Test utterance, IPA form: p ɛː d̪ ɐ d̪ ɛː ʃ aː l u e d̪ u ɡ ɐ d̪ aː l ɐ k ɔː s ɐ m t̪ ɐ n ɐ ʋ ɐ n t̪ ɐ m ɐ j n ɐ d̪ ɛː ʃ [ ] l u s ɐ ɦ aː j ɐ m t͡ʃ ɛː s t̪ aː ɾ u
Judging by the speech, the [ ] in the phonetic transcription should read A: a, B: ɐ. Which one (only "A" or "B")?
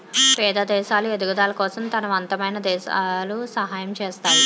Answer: A